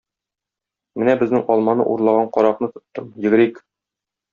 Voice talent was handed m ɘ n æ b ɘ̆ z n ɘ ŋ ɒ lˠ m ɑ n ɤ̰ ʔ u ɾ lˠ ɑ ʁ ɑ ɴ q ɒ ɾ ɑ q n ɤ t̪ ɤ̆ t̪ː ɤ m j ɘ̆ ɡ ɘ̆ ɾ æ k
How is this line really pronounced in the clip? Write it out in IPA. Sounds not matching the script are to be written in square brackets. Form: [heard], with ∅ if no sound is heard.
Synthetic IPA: m ɘ n æ b ɘ̆ z n ɘ ŋ ɒ lˠ m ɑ n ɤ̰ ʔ u ɾ lˠ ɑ ʁ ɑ ɴ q ɒ ɾ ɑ q n ɤ t̪ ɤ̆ t̪ː ɤ m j ɘ̆ ɡ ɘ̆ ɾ [i] k